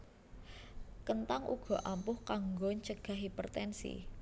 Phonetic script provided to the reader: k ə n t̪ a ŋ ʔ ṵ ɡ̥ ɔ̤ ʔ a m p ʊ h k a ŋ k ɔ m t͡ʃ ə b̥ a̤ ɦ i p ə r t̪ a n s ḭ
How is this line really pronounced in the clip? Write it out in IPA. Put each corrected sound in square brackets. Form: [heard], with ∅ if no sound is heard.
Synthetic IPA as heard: k ə n t̪ a ŋ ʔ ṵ ɡ̥ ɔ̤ ʔ a m p ʊ h k a ŋ [ɡ] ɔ [ɲ] t͡ʃ ə [ɡ̥] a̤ ɦ i p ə r t̪ [ɛ] n s ḭ